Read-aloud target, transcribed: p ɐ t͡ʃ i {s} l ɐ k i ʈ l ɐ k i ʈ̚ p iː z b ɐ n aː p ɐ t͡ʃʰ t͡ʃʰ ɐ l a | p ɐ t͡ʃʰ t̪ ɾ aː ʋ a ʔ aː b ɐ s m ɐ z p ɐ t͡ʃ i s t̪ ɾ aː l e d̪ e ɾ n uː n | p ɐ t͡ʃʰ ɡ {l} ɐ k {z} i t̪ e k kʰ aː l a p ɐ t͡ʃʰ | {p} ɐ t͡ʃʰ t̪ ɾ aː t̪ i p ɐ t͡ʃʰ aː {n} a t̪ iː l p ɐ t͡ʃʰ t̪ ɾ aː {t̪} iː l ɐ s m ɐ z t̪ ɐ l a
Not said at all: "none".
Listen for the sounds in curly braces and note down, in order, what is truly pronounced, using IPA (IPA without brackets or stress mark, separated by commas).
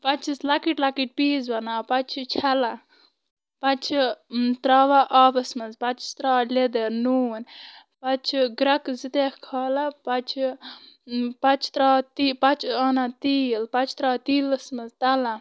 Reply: s, ɾ, z, p, n, t̪